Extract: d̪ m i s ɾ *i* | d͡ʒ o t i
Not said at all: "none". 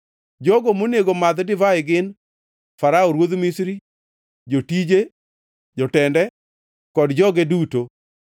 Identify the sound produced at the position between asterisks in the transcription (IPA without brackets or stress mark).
i